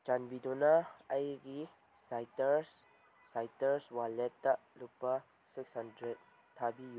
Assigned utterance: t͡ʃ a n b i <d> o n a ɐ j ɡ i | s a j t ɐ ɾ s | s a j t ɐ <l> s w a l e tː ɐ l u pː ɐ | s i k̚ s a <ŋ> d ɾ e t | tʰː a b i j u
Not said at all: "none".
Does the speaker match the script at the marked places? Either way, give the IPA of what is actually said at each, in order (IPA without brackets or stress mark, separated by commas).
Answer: d, ɾ, n